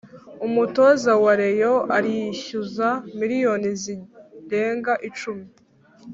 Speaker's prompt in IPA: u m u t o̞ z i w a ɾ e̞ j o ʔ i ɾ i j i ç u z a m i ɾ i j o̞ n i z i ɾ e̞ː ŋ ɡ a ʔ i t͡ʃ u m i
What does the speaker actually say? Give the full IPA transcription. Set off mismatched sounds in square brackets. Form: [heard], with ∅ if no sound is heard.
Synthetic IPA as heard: u m u t o̞ z [a] w a ɾ e̞ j o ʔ [a] ɾ i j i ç u z a m i ɾ i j o̞ n i z i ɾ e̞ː ŋ ɡ a ʔ i t͡ʃ u m i